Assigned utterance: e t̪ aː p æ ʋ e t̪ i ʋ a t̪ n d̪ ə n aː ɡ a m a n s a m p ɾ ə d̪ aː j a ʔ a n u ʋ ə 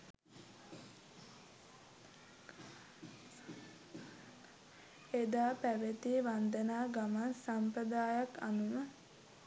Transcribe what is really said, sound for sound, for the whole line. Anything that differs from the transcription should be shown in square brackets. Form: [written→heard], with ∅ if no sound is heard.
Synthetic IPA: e [t̪→d̪] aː p æ ʋ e t̪ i ʋ a [t̪→∅] n d̪ ə n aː ɡ a m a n s a m p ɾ ə d̪ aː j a [ʔ→k] a n u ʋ ə